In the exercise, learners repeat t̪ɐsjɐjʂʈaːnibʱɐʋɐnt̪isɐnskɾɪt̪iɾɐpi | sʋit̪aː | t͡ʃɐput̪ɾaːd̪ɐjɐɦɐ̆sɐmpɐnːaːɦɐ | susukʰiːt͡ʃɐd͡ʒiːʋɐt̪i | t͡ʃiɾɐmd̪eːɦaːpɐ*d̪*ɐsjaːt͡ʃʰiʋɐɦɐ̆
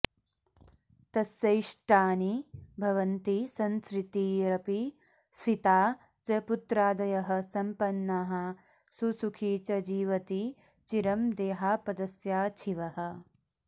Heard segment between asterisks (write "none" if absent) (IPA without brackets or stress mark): d̪